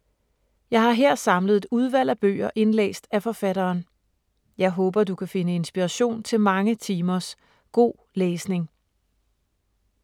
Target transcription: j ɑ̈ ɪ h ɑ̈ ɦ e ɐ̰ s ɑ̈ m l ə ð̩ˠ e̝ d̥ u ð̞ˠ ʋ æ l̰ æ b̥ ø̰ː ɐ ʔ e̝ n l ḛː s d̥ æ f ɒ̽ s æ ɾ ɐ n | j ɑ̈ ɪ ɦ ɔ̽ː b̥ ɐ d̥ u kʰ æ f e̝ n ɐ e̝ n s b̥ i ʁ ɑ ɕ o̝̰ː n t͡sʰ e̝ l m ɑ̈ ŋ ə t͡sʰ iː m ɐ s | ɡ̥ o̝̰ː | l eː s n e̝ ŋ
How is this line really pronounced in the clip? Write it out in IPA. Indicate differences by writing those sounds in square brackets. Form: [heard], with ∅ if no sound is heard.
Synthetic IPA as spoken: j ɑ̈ ɪ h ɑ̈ ɦ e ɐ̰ s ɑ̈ m l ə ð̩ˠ e̝ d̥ u ð̞ˠ ʋ æ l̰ æ b̥ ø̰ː ɐ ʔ e̝ n l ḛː s d̥ æ f ɒ̽ [f] æ ɾ [ɐː] n | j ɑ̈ ɪ ɦ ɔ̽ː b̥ ɐ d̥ u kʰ æ f e̝ n [ə] e̝ n s b̥ i ʁ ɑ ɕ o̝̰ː n t͡sʰ e̝ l m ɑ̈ ŋ ə t͡sʰ iː m ɐ s | ɡ̥ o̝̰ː | l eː s n e̝ ŋ